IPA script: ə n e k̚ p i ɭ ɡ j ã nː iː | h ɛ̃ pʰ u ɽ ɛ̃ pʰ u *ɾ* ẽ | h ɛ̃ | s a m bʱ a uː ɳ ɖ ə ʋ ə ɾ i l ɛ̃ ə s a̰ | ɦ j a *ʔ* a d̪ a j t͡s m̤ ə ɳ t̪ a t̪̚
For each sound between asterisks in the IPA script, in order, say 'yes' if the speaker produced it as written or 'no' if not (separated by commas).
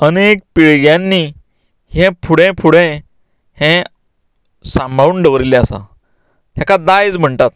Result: no, no